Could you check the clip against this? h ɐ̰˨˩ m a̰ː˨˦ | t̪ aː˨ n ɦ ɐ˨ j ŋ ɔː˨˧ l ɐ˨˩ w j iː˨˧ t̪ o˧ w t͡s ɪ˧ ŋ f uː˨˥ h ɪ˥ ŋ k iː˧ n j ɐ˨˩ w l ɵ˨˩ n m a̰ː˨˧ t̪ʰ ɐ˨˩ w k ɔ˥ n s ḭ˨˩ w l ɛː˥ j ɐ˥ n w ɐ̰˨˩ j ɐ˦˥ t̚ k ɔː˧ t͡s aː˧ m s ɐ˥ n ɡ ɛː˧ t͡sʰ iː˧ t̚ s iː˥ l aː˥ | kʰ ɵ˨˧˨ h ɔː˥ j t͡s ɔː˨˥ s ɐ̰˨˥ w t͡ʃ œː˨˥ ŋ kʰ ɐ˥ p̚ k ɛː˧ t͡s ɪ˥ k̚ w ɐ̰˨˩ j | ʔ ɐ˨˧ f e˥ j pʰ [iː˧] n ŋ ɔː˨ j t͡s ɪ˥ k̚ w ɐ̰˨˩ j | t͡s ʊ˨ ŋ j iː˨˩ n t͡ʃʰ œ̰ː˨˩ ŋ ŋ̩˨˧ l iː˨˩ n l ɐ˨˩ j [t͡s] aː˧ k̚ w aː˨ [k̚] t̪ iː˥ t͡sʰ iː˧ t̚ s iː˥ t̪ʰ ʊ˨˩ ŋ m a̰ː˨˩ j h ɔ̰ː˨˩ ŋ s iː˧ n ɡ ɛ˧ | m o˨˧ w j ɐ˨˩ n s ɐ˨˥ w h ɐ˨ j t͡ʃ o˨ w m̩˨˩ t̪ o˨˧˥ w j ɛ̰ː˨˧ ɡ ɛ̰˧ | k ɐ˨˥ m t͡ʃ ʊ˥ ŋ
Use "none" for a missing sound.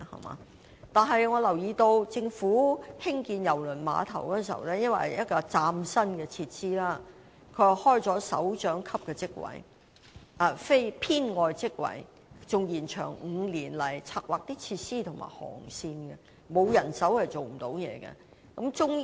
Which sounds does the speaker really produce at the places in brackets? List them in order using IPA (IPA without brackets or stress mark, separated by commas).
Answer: iː˥, t͡sʰ, k̚